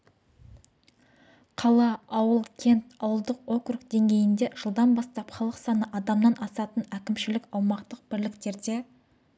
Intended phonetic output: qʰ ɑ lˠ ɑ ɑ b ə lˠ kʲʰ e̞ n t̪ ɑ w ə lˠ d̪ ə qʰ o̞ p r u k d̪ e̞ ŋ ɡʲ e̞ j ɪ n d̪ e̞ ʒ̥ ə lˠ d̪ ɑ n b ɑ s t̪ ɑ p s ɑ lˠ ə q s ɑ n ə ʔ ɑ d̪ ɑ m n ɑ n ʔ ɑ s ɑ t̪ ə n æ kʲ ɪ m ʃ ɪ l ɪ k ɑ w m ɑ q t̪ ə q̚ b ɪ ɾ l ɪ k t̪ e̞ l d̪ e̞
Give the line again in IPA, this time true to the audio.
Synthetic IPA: qʰ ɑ lˠ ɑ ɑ w ə lˠ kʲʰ e̞ n t̪ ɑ w ə lˠ d̪ ə q o̞ k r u k d̪ e̞ ŋ ɡʲ e̞ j ɪ n d̪ e̞ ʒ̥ ə lˠ d̪ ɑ n b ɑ s t̪ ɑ p χ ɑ lˠ ə q s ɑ n ə ʔ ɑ d̪ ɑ m n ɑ n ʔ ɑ s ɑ t̪ ə n æ kʲ ɪ m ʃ ɪ l ɪ k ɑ w m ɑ q t̪ ə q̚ b ɪ ɾ l ɪ k t̪ e̞ ɾ d̪ e̞